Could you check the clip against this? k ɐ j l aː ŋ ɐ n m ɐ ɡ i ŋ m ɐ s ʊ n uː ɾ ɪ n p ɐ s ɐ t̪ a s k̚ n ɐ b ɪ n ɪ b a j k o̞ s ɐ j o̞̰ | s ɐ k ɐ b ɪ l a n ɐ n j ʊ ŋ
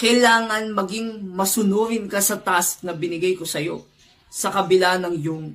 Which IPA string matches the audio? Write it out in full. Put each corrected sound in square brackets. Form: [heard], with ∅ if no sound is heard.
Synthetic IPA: k ɐ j l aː ŋ ɐ n m ɐ ɡ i ŋ m ɐ s ʊ n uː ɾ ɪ n [k] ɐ s ɐ t̪ a s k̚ n ɐ b ɪ n ɪ [ɡ] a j k o̞ s ɐ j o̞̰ | s ɐ k ɐ b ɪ l a n ɐ [ŋ] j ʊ ŋ